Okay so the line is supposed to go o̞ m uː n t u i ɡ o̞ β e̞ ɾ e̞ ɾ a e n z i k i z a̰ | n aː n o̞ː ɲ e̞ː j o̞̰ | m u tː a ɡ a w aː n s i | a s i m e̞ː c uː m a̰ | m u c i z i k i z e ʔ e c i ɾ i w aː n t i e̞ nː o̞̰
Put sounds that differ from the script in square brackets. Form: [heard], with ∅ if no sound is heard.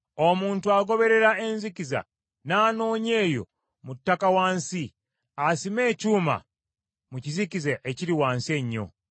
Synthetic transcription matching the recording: o̞ m uː n t u [a] ɡ o̞ β e̞ ɾ e̞ ɾ a e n z i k i z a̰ | n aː n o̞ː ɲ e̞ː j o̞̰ | m u tː a [k] a w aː n s i | a s i m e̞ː c uː m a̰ | m u c i z i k i z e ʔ e c i ɾ i w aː n [s] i e̞ [ɲː] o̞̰

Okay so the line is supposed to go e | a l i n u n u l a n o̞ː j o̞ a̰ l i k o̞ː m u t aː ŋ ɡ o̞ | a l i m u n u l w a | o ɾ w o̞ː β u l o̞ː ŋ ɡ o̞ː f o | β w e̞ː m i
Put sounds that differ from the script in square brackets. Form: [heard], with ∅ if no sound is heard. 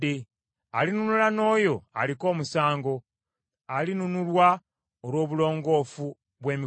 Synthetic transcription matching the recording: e | a l i n u n u l a n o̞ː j o̞ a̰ l i k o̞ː m u [s] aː ŋ ɡ o̞ | a l i [n] u n u l w a | o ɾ w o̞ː β u l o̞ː ŋ ɡ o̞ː f [u] | β w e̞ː m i

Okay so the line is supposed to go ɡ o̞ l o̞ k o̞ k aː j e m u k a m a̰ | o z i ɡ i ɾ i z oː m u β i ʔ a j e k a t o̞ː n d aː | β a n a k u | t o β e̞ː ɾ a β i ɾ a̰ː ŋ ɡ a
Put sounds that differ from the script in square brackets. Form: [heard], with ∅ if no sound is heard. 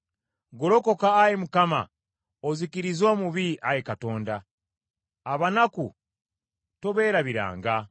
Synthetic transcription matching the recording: ɡ o̞ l o̞ k o̞ k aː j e m u k a m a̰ | o z i [k] i ɾ i z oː m u β i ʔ a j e k a t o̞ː n d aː | β a n a k u | t o β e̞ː ɾ a β i ɾ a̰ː ŋ ɡ a

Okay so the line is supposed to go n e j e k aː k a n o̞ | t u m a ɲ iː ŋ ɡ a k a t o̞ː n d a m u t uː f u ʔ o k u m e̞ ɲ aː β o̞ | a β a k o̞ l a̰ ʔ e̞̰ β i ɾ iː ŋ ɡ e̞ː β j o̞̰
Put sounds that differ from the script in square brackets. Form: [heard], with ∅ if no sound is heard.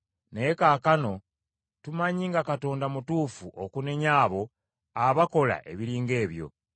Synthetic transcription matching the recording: n e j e k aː k a n o̞ | t u m a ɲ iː ŋ ɡ a k a t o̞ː n d a m u t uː f u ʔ o k u [n] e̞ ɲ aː β o̞ | a β a k o̞ l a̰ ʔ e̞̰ β i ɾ iː ŋ ɡ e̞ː β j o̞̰

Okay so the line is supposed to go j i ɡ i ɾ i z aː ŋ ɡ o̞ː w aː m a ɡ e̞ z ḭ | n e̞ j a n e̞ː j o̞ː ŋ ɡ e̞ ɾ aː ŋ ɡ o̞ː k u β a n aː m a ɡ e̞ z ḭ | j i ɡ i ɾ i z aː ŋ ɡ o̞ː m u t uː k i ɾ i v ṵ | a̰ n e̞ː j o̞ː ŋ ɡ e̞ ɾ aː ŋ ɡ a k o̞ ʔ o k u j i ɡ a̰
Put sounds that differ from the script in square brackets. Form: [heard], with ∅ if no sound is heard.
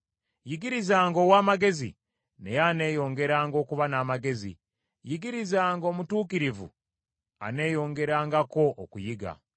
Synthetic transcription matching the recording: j i ɡ i ɾ i z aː ŋ ɡ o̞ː w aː m a ɡ e̞ z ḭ | n e̞ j a n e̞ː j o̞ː ŋ ɡ e̞ ɾ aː ŋ ɡ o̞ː k u β a n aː m a ɡ e̞ z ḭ | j i ɡ i ɾ i z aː ŋ ɡ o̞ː m u t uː k i ɾ i v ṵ | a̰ n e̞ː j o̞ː ŋ ɡ e̞ ɾ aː ŋ ɡ a k o̞ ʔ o k u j i ɡ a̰

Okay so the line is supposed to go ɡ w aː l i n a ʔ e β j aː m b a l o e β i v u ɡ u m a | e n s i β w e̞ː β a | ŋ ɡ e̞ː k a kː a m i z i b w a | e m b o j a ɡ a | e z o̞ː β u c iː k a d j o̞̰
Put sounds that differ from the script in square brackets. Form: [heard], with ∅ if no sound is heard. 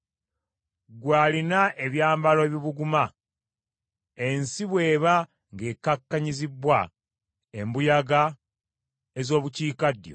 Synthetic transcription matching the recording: ɡ w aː l i n a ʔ e β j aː m b a l o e β i [β] u ɡ u m a | e n s i β w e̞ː β a | ŋ ɡ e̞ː k a kː a [ɲ] i z i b w a | e m b [u] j a ɡ a | e z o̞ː β u c iː k a d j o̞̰

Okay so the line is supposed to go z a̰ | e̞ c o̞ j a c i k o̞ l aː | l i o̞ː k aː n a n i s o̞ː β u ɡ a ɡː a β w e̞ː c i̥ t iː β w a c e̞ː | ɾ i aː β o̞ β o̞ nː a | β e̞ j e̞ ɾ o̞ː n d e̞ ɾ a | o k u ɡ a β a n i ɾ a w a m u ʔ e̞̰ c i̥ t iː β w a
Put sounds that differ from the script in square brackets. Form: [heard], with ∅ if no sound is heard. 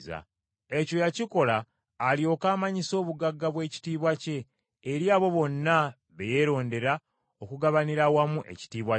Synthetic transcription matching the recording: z a̰ | e̞ c o̞ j a c i k o̞ l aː | l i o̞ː k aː [m] a [ɲ] i s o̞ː β u ɡ a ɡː a β w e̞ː c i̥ t iː β w a c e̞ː | ɾ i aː β o̞ β o̞ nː a | β e̞ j e̞ ɾ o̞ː n d e̞ ɾ a | o k u ɡ a β a n i ɾ a w a m u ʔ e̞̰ c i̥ t iː β w a

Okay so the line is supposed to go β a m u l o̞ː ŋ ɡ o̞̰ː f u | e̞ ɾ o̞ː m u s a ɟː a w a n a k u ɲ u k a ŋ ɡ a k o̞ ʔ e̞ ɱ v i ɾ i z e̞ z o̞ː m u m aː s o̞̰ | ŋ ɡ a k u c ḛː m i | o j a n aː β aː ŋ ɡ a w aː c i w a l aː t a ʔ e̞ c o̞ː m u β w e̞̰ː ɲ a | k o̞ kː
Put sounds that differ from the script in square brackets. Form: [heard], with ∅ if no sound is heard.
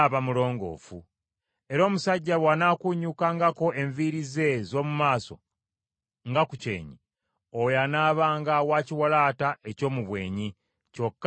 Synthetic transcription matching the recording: β a m u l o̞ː ŋ ɡ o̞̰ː f u | e̞ ɾ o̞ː m u s a ɟː a w a n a k u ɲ u k a ŋ ɡ a k o̞ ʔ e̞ ɱ v i ɾ i z e̞ z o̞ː m u m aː s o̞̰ | ŋ ɡ a k u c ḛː [ɲ] i | o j a n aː β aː ŋ ɡ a w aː c i w a l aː t a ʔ e̞ c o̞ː m u β w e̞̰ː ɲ [i] | [c] o̞ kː

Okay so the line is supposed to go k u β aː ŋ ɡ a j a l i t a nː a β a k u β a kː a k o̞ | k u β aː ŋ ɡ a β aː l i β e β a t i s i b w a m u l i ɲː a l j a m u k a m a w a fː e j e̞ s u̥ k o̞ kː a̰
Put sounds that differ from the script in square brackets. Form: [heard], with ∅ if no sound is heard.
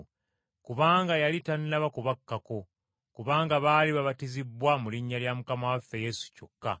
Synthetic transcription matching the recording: k u β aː ŋ ɡ a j a l i t a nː a β a k u β a kː a k o̞ | k u β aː ŋ ɡ a β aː l i β [a] β a t i [z] i b w a m u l i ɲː a l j a m u k a m a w a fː e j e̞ s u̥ [c] o̞ kː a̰

